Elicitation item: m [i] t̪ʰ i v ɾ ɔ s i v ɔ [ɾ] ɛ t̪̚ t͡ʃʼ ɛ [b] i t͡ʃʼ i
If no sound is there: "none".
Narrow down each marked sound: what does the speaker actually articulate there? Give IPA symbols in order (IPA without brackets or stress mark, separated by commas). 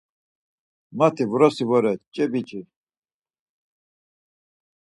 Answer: a, ɾ, b